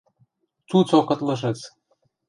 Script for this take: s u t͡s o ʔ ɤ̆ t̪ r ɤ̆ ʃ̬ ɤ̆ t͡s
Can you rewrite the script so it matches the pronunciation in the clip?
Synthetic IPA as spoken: t͡s u t͡s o k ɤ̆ t̪ l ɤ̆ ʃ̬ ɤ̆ t͡s